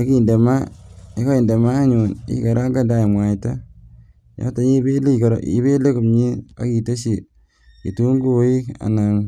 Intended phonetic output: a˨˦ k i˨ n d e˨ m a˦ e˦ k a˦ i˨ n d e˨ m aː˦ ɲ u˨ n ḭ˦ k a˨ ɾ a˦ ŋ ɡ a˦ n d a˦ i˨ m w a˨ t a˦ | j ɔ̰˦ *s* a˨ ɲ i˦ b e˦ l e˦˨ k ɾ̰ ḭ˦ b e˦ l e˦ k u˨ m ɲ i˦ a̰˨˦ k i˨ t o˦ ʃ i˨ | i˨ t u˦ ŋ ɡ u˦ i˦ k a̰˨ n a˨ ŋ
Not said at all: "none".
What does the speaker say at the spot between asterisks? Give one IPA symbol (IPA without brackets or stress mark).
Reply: t